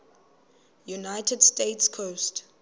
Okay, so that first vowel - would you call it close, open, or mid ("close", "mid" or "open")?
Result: close